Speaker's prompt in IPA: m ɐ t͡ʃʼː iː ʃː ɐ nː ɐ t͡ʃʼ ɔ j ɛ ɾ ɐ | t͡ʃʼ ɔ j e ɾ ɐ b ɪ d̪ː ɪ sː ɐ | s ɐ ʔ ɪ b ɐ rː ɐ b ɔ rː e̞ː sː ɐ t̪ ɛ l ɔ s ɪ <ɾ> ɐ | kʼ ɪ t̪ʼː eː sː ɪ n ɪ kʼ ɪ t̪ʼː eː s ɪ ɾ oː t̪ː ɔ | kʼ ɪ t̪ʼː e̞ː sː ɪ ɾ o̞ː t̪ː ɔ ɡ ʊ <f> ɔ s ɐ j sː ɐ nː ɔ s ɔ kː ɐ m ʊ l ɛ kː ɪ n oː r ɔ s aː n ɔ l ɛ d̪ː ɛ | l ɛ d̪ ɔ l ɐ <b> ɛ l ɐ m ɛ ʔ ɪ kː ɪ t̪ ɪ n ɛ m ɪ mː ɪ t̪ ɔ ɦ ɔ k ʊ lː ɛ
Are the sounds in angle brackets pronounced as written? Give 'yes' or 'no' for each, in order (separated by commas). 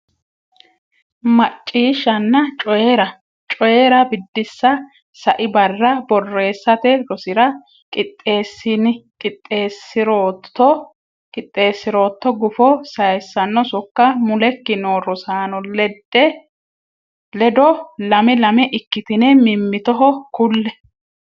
yes, yes, no